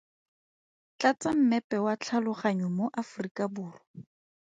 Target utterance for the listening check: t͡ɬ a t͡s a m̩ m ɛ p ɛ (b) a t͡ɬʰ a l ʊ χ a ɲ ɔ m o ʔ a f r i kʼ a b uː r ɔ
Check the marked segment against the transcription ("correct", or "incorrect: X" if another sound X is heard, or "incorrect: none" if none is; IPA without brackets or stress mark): incorrect: w